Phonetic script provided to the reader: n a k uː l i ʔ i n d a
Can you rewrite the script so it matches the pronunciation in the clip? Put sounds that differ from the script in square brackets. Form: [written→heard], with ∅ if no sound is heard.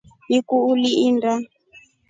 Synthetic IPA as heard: n [a→i] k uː l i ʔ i n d a